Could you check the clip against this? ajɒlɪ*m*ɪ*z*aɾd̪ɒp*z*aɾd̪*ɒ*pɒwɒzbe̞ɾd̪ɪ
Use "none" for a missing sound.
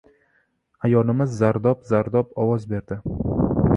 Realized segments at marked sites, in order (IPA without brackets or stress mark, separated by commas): m, zː, z, ɒ